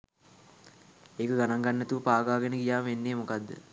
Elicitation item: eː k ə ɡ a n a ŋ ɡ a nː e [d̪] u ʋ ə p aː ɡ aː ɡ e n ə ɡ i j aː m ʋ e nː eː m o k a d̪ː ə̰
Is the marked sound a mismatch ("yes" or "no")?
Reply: yes